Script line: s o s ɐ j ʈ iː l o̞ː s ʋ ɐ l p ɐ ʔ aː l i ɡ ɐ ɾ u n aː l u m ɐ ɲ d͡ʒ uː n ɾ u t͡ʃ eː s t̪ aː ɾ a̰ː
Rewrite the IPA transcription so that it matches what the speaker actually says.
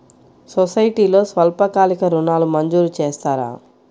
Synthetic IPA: s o s ɐ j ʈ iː l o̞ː s ʋ ɐ l p ɐ k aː l i k ɐ ɾ u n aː l u m ɐ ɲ d͡ʒ uː ɾ u t͡ʃ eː s t̪ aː ɾ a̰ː